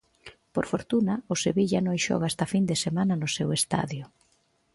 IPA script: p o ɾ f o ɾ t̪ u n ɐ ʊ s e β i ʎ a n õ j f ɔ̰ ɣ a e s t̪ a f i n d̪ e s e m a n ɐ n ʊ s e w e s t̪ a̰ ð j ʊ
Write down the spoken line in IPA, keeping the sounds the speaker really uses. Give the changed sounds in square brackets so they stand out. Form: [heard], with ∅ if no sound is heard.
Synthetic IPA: p o ɾ f o ɾ t̪ u n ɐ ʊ s e β i ʎ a n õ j [ʃ] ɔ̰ ɣ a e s t̪ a f i n d̪ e s e m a n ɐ n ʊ s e w e s t̪ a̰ ð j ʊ